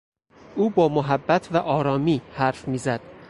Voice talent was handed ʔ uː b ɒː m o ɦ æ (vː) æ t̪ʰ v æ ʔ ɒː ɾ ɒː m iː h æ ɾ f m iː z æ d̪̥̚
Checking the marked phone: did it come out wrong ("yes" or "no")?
yes